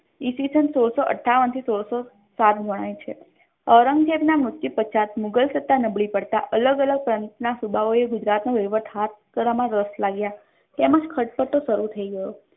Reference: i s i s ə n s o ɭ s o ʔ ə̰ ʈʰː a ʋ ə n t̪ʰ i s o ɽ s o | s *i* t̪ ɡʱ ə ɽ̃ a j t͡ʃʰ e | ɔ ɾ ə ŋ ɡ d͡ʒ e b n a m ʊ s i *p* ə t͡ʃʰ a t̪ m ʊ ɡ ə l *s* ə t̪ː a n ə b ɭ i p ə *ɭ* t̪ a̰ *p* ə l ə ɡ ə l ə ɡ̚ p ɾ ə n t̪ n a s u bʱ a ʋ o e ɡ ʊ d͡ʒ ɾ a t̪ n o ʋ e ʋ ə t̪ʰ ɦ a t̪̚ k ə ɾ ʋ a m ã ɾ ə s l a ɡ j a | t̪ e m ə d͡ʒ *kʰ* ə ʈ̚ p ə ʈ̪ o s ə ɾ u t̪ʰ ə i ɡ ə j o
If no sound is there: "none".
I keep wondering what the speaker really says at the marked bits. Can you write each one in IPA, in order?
a, p, s, ɽ, ʔ, kʰ

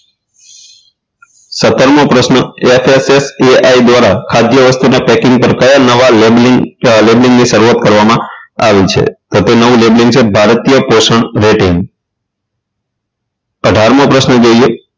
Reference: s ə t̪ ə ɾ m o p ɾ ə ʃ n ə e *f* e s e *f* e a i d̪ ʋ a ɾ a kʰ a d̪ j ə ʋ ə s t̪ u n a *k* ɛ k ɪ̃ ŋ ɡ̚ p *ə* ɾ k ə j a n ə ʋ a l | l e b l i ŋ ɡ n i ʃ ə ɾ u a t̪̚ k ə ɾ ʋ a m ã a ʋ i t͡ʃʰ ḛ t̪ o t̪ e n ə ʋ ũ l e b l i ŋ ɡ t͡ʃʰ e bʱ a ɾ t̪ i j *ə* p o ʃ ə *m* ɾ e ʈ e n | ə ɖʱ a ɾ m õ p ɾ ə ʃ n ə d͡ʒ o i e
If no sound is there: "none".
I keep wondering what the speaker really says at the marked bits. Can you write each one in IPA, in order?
f, s, p, ə, ə, ɳ

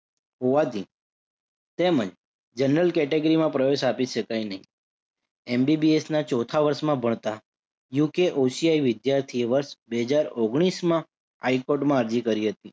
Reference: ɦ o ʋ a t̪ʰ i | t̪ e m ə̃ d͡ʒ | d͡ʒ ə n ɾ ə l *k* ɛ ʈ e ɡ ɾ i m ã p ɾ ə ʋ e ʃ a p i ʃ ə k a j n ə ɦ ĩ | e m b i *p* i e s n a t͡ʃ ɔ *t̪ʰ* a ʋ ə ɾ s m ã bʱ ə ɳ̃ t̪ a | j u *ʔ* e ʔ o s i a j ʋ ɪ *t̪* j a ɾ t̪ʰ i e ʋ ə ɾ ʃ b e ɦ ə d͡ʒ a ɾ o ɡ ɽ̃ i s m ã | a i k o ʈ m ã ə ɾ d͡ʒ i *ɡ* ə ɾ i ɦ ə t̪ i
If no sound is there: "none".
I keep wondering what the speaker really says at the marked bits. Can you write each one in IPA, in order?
k, b, t̪ʰ, k, d̪, k

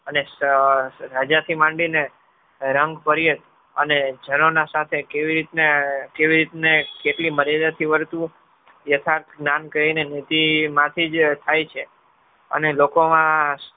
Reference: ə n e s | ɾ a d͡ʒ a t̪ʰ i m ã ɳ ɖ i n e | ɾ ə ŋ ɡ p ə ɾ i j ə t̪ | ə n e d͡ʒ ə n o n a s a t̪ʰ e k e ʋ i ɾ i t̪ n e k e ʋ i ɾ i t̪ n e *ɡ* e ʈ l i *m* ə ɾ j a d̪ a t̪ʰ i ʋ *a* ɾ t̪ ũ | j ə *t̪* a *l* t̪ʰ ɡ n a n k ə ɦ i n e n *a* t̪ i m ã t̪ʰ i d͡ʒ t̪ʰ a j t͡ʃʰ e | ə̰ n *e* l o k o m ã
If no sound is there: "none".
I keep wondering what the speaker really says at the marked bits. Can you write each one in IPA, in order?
k, m, ə, t̪ʰ, ɾ, i, e

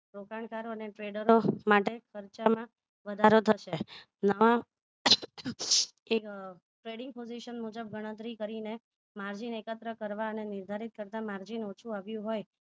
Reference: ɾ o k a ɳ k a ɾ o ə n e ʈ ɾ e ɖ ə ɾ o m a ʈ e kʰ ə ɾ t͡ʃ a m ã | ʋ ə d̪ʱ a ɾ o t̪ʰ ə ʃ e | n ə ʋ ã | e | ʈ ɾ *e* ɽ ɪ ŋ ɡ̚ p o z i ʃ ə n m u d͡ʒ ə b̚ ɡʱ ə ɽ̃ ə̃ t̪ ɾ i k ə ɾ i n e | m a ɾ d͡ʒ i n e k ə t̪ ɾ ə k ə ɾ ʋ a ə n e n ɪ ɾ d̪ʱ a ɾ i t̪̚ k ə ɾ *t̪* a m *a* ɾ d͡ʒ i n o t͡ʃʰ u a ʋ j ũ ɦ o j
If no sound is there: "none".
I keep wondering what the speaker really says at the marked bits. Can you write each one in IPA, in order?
e, t̪, a

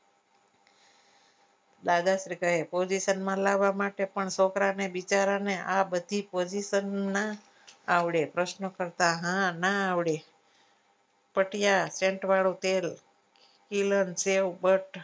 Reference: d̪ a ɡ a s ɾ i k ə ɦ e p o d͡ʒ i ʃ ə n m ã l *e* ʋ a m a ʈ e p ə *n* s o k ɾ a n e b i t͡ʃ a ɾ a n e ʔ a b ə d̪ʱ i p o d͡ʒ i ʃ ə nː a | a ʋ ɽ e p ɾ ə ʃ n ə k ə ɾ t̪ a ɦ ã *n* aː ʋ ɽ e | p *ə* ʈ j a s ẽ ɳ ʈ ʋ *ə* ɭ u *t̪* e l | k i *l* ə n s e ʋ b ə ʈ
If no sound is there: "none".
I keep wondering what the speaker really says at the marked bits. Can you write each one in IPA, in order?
a, ɳ, n, ə, a, t̪, l

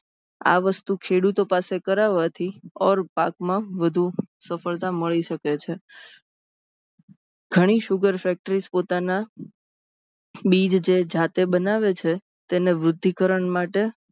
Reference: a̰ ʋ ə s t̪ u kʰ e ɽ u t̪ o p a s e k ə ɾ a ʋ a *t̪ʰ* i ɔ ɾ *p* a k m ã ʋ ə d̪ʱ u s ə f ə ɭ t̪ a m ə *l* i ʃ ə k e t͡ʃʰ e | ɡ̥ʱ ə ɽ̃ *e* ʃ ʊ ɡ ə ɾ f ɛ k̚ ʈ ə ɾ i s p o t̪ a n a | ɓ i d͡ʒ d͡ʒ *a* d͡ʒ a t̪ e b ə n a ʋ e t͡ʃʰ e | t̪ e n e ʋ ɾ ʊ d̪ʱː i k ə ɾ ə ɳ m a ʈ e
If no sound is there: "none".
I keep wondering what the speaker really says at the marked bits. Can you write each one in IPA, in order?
t̪ʰ, p, ɭ, i, e

